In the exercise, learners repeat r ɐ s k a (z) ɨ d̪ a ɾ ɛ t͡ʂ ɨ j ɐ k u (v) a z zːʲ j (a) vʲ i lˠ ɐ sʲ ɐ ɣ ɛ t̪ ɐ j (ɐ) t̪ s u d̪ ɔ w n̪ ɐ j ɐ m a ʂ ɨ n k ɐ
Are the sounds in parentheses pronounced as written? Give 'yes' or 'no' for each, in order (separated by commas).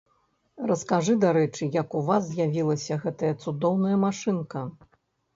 no, yes, yes, yes